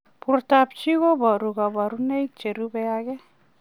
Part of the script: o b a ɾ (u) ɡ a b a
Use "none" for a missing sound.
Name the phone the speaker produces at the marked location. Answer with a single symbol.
u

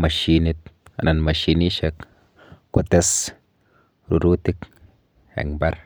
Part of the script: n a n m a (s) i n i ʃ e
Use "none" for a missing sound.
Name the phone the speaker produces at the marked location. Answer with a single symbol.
ʃ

